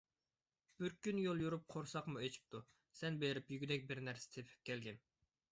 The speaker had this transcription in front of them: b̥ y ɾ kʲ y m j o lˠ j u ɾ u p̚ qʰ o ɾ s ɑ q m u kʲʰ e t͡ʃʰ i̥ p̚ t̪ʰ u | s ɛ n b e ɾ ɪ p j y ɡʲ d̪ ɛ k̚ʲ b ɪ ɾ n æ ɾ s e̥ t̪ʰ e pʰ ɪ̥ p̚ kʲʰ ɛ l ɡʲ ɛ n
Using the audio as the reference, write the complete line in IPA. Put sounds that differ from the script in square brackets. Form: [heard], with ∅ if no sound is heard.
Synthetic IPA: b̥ y ɾ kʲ y [n] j o lˠ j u ɾ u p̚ qʰ o ɾ s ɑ q m u [∅] e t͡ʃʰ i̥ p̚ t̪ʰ u | s ɛ n b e ɾ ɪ p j y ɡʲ d̪ ɛ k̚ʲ b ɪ ɾ n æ ɾ s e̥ t̪ʰ e pʰ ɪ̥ p̚ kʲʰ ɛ l ɡʲ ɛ n